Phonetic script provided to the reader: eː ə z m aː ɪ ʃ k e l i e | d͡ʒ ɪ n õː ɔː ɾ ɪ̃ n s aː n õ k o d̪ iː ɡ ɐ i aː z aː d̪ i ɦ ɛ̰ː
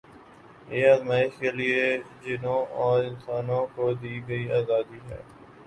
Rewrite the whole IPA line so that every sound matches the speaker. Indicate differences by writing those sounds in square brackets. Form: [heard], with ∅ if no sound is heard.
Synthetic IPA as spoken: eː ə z m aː ɪ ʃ k e l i e | d͡ʒ ɪ n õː ɔː ɾ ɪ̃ n s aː n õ k o d̪ iː ɡ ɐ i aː z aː d̪ i ɦ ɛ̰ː